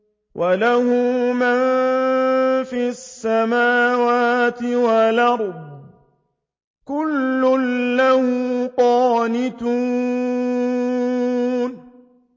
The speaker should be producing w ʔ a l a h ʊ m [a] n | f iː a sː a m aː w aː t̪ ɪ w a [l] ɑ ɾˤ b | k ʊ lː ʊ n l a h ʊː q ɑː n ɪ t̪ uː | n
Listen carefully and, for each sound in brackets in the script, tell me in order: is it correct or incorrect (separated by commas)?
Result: correct, correct